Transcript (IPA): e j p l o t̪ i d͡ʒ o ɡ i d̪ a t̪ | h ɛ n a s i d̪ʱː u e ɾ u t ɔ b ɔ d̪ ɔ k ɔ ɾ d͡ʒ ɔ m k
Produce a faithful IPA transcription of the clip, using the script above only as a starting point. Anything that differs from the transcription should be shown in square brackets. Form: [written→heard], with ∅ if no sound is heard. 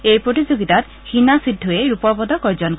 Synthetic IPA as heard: e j p [l→ɾ] o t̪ i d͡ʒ o ɡ i [d̪→t̪] a t̪ | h [ɛ→i] n a s i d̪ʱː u e ɾ u [t→p] ɔ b ɔ d̪ ɔ k ɔ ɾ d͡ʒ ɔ [m→n] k